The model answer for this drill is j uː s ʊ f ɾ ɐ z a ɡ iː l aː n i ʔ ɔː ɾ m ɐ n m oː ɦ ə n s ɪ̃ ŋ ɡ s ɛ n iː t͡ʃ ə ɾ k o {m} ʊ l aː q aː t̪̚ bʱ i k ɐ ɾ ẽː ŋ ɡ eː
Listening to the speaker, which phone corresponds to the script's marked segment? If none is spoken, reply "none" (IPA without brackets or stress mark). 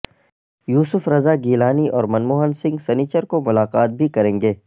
m